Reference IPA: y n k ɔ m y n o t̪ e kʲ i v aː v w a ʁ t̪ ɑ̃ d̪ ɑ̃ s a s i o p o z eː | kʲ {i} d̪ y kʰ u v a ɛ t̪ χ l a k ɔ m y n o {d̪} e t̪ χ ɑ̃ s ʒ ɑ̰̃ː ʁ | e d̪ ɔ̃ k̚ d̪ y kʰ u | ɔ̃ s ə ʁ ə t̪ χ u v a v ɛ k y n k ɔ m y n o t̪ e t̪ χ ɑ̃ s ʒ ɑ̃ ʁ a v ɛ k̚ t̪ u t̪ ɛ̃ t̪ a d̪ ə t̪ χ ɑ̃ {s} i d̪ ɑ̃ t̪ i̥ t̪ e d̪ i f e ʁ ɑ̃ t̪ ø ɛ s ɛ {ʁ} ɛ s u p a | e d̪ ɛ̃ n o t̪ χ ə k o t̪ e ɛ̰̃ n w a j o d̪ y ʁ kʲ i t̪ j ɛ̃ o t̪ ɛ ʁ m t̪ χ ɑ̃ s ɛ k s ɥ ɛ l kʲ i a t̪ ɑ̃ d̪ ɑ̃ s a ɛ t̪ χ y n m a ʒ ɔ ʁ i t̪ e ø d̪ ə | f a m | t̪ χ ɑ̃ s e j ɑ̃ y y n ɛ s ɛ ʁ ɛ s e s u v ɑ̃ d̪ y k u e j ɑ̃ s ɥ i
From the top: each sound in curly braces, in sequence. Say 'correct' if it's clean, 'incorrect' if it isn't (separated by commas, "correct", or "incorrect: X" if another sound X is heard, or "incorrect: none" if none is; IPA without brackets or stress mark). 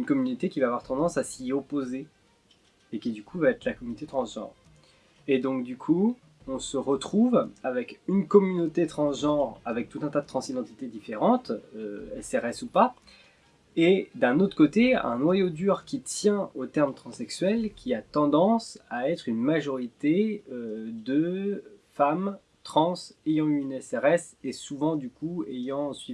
correct, incorrect: t̪, correct, correct